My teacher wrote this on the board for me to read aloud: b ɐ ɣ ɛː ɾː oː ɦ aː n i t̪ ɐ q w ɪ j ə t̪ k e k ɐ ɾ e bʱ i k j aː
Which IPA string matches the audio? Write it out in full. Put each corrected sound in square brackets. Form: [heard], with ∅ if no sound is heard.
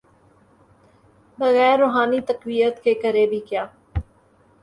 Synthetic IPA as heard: b ɐ ɣ ɛː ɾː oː ɦ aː n i t̪ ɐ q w [i] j ə t̪ k e k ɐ ɾ e bʱ i k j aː